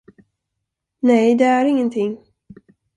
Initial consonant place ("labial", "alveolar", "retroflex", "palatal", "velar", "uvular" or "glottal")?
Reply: alveolar